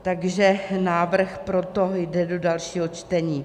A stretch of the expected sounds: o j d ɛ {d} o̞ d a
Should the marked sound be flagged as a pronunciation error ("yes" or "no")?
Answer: no